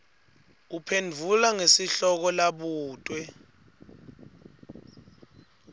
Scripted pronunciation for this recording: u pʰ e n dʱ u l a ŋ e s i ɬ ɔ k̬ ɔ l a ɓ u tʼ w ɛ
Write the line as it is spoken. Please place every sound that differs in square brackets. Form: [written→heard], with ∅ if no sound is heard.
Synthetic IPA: u pʰ e n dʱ u l a ŋ e s i ɬ ɔ k̬ ɔ l a ɓ [u→uː] tʼ w ɛ